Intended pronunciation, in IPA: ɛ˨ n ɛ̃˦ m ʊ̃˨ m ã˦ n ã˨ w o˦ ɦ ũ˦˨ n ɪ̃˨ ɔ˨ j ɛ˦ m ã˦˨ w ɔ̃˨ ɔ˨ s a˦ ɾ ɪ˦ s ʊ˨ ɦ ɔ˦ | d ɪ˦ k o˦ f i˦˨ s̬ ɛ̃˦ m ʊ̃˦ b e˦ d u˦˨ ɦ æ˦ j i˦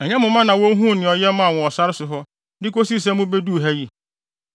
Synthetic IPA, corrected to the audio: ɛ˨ ɲ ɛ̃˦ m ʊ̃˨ m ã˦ n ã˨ w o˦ ɦ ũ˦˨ n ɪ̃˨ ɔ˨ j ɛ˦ m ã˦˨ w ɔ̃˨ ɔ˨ s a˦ ɾ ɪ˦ s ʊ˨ ɦ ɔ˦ | d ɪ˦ k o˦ s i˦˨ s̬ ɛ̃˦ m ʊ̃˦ b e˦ d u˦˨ ɦ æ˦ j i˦